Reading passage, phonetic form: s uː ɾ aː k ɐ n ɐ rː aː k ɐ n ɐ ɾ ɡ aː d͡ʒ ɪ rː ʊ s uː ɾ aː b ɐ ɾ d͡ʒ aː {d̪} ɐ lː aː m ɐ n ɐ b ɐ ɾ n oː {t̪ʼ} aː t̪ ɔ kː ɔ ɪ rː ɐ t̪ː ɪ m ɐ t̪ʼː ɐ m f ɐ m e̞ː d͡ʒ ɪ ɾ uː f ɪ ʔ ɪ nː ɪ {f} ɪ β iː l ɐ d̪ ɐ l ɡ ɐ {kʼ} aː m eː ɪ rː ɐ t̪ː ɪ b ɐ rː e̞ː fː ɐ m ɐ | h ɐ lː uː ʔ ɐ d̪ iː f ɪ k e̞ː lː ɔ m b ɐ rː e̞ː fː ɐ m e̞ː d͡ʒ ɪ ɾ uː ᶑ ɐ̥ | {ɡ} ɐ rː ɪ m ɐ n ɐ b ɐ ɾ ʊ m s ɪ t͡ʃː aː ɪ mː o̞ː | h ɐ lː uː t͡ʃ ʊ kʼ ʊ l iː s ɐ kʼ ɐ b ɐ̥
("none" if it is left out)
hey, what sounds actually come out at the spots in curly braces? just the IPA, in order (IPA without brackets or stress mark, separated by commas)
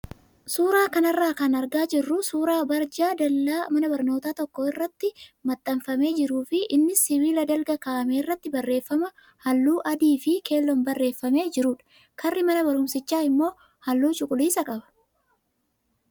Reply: d̪, t̪, s, k, k